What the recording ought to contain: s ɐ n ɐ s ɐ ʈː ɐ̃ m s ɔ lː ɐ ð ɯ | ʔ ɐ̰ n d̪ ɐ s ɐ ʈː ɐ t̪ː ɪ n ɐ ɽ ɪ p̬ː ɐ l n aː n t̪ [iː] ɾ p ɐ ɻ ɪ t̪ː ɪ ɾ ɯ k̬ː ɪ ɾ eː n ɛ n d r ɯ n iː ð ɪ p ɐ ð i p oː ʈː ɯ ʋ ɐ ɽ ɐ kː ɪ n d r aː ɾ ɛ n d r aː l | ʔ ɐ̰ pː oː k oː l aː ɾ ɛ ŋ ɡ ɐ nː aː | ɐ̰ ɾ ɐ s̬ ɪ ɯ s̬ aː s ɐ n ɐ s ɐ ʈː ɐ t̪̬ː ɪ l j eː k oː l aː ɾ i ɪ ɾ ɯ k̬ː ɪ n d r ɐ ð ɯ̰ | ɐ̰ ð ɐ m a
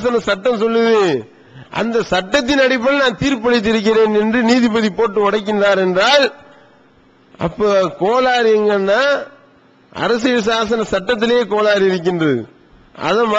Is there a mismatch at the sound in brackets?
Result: no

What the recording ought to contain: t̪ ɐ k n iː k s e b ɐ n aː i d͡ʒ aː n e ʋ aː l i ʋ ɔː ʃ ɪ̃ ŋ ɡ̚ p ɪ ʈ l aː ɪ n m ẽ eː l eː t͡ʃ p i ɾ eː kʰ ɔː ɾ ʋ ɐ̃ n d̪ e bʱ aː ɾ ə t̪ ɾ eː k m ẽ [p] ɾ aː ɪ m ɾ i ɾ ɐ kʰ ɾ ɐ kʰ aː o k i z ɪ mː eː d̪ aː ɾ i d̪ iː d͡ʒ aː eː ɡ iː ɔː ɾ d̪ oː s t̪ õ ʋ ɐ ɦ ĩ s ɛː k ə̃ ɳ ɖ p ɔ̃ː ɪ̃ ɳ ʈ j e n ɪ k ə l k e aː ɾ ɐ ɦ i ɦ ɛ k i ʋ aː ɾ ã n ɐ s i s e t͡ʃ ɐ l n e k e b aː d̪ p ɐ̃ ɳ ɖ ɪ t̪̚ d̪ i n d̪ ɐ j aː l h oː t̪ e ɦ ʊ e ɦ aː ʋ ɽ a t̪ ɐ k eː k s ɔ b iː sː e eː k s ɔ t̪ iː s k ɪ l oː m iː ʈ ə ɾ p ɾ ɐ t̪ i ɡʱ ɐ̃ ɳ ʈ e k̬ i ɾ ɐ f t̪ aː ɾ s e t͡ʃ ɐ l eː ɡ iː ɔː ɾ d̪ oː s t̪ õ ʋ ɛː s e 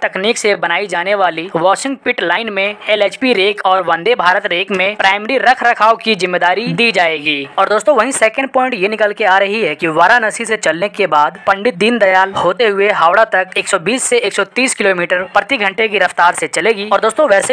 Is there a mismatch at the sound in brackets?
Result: no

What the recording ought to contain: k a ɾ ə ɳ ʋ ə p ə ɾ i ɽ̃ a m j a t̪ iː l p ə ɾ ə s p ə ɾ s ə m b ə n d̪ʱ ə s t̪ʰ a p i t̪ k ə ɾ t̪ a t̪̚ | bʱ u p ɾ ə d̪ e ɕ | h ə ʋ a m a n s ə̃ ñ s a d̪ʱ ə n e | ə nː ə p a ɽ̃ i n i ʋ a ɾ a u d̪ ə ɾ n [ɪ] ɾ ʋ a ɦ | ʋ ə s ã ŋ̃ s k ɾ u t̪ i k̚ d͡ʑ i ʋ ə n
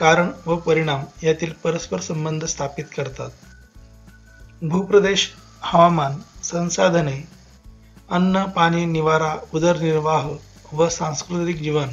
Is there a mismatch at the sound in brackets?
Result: yes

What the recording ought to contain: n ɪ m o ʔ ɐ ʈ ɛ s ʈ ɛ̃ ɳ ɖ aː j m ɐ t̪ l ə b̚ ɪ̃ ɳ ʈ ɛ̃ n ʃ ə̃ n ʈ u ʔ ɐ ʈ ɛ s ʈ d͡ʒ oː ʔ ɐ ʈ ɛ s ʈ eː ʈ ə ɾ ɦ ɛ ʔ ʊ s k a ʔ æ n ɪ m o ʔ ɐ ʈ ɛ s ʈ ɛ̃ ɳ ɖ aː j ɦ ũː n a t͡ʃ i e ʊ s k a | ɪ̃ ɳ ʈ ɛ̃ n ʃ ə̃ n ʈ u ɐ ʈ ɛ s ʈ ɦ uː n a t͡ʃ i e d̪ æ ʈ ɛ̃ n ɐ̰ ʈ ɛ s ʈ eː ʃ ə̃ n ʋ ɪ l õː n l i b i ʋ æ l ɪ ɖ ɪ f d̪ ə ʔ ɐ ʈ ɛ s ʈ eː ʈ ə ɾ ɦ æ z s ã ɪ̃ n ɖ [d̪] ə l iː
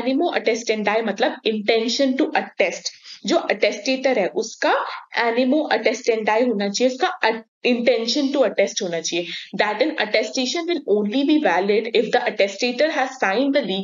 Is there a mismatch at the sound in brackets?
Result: no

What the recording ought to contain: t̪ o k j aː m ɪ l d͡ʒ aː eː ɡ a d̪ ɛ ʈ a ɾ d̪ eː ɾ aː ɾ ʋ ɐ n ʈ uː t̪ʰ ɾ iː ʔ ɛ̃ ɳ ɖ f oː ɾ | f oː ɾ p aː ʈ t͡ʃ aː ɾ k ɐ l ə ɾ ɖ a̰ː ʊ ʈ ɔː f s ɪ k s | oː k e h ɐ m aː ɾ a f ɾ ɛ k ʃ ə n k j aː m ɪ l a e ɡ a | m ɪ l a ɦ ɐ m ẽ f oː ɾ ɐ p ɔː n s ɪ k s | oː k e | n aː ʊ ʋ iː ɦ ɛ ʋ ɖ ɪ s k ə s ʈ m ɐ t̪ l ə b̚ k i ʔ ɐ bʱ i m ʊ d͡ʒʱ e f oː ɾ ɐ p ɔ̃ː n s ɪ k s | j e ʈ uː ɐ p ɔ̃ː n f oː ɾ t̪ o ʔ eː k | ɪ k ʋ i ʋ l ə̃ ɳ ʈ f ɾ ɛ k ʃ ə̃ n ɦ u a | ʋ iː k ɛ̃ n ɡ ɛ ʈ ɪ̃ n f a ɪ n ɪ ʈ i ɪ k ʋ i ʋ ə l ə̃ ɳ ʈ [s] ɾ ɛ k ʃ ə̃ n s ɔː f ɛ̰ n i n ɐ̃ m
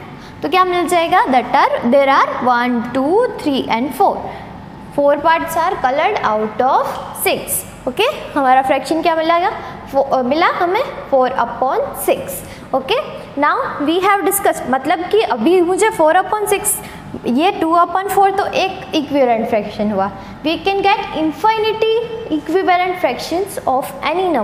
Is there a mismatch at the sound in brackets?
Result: yes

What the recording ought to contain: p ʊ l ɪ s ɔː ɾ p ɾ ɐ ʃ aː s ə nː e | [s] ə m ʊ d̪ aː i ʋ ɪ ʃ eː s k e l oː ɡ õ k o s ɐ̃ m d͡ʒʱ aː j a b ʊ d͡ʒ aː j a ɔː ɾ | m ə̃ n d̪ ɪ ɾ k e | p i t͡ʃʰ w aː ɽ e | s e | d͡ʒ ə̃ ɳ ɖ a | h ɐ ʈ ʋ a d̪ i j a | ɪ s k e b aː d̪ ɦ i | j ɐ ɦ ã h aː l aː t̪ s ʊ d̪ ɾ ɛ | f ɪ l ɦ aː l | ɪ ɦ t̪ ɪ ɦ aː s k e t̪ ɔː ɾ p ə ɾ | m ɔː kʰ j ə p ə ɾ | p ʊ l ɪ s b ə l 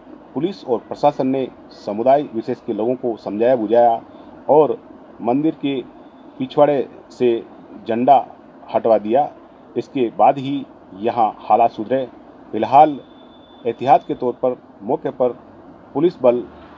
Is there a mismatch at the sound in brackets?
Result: no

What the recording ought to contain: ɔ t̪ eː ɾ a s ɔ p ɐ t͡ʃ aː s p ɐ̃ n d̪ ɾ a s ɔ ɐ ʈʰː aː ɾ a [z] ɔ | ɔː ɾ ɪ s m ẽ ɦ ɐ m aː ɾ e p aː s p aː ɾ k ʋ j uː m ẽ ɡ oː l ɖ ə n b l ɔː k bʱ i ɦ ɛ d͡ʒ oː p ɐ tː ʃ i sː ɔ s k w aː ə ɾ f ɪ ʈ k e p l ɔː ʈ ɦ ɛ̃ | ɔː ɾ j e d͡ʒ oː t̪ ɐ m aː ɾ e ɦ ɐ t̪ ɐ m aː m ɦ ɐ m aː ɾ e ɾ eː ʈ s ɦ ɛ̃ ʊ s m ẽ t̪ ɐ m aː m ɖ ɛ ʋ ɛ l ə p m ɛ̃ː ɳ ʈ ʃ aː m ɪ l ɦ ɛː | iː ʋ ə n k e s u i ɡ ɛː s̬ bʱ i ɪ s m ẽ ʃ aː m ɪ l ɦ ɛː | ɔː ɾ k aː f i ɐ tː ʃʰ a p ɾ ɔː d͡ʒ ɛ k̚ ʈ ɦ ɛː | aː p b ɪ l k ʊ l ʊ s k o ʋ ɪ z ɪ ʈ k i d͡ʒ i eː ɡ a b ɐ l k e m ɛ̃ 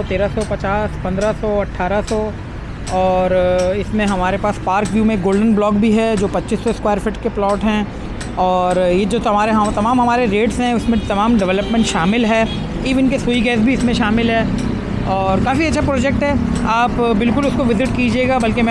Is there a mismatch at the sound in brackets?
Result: yes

